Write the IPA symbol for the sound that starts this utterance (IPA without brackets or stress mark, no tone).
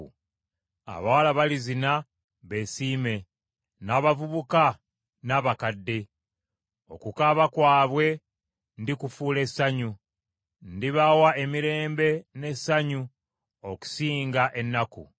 a̰